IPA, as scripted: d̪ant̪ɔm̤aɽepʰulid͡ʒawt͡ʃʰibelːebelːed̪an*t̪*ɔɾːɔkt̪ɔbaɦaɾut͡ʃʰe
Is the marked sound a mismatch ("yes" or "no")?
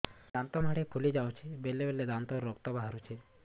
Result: no